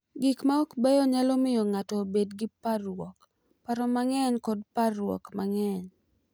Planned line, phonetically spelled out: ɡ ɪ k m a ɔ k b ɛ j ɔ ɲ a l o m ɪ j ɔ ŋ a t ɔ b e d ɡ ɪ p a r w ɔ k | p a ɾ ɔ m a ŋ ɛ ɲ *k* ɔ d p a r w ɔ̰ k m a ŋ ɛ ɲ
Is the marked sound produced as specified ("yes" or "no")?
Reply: yes